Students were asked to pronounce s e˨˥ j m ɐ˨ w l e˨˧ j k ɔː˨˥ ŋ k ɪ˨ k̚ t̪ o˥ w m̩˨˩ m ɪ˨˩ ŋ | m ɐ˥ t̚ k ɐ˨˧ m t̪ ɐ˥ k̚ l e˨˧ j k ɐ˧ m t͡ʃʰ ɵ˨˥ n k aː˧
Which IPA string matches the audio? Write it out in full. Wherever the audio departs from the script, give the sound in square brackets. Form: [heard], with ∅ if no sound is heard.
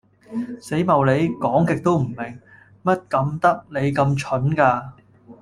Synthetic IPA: s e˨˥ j m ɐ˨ w l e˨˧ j k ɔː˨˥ ŋ k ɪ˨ k̚ t̪ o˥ w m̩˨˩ m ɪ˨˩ ŋ | m ɐ˥ t̚ k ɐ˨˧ m t̪ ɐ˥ k̚ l e˨˧ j k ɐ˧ m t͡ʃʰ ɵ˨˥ n k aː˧